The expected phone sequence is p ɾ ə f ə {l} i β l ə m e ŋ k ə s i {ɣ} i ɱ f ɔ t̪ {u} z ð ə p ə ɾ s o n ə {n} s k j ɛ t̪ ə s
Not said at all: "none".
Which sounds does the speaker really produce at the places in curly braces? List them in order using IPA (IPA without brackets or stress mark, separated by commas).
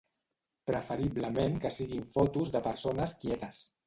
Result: ɾ, ɣ, u, none